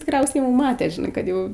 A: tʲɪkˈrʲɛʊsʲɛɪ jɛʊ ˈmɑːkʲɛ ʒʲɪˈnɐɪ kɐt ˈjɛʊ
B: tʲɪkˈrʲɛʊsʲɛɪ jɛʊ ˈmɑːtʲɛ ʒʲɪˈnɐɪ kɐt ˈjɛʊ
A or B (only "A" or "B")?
B